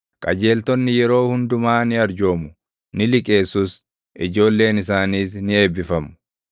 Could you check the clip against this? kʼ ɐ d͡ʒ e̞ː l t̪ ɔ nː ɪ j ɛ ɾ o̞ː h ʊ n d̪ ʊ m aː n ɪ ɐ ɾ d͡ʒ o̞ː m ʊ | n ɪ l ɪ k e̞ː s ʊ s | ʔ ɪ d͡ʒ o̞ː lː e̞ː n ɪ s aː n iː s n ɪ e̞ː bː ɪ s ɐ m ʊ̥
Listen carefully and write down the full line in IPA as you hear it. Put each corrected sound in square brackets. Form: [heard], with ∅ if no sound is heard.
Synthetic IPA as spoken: kʼ ɐ d͡ʒ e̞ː l t̪ ɔ nː ɪ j ɛ ɾ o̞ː h ʊ n d̪ ʊ m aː n ɪ ɐ ɾ d͡ʒ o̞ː m ʊ | n ɪ l ɪ [kʼ] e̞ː s ʊ s | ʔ ɪ d͡ʒ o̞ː lː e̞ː n ɪ s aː n iː s n ɪ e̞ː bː ɪ [f] ɐ m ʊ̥